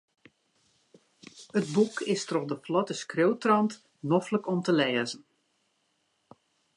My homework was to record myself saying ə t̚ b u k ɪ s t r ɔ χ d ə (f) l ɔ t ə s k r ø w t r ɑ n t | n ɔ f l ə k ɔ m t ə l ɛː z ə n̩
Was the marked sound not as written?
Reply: no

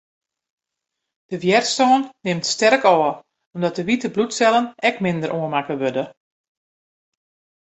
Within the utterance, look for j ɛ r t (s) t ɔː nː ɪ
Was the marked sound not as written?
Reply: no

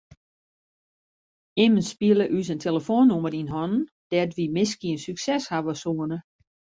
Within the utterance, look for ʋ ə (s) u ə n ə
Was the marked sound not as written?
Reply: no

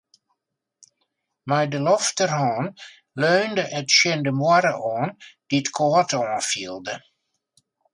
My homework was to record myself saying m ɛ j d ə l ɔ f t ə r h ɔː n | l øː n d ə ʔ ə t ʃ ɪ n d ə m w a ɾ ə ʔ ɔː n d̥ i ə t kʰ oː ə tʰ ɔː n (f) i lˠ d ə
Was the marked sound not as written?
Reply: no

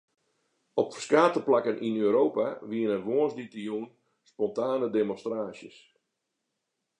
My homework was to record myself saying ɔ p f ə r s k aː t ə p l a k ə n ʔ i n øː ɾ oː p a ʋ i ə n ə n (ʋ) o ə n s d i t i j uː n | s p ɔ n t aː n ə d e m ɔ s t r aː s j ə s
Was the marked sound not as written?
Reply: no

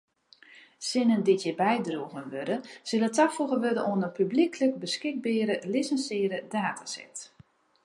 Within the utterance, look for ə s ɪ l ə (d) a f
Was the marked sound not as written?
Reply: yes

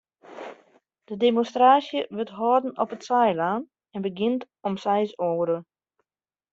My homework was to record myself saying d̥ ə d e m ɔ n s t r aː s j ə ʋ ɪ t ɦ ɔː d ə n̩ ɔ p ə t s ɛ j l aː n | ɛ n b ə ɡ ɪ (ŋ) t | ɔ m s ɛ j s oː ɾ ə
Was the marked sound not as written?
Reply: yes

